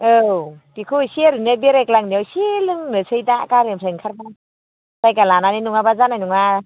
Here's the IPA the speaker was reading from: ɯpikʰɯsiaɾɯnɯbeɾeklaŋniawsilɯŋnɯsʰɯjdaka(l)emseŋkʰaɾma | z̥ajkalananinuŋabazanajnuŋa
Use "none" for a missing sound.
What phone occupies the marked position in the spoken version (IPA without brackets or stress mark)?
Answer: ɾ